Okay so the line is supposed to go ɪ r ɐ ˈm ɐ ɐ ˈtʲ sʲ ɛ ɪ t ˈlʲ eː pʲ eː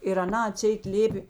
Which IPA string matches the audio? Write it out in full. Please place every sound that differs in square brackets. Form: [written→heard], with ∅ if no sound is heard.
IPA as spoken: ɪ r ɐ [ˈm→ˈn] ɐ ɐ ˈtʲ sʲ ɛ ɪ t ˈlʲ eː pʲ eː